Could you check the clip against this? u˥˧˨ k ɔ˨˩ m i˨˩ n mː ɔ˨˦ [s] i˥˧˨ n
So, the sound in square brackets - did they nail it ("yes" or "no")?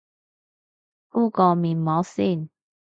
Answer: yes